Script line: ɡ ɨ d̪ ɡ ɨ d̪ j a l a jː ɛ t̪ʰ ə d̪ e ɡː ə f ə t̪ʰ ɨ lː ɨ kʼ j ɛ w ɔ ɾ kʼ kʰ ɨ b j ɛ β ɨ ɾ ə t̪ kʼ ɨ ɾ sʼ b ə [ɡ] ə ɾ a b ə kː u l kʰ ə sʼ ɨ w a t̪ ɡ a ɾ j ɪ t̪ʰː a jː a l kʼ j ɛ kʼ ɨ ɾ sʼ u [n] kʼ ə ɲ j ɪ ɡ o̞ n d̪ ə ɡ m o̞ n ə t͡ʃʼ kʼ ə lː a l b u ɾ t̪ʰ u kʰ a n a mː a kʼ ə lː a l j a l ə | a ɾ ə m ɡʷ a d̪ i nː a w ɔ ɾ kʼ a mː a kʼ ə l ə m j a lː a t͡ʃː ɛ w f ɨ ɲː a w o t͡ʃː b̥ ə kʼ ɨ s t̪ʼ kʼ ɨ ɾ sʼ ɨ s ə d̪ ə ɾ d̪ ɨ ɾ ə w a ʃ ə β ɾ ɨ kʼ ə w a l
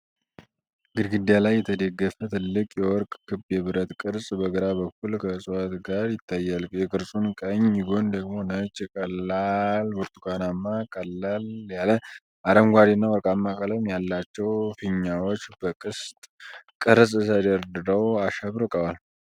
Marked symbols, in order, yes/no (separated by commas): yes, yes